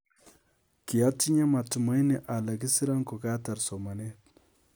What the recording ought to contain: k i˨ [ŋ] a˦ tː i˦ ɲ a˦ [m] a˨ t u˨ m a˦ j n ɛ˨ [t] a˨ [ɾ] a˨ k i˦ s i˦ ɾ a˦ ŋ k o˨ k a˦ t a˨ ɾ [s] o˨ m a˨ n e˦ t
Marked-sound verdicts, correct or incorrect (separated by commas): incorrect, correct, incorrect, incorrect, correct